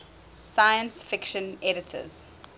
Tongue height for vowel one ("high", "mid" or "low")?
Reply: low